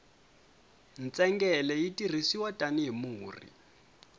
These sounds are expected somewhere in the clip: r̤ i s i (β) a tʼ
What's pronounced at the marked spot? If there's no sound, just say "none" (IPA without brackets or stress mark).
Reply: w